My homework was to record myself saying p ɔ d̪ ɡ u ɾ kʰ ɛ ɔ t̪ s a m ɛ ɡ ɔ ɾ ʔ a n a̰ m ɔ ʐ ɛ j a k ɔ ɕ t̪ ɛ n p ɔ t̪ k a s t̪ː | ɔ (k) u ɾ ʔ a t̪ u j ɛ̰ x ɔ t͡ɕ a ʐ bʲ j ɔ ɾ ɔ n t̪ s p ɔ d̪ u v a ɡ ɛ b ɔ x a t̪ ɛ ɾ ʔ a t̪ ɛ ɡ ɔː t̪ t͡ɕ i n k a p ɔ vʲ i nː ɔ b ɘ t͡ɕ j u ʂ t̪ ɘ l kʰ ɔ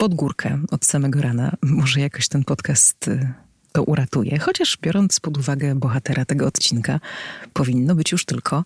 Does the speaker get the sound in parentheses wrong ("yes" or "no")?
yes